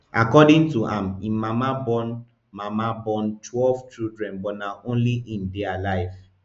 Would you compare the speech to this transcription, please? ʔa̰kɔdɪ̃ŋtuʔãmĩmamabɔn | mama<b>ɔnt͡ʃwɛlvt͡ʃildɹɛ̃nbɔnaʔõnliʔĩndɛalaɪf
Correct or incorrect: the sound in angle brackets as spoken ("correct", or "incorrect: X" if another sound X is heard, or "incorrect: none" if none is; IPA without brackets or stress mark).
correct